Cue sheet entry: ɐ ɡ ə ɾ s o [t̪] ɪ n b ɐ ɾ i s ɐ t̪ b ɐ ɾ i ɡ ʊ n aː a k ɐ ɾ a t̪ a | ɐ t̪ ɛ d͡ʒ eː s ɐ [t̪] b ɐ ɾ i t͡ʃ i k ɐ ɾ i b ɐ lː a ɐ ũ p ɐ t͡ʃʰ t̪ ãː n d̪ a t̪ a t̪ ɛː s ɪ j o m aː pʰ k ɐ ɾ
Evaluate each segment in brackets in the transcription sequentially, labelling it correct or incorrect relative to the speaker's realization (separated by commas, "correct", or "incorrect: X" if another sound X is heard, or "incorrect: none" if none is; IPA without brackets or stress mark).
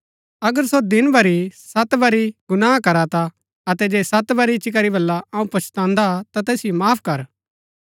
incorrect: d̪, correct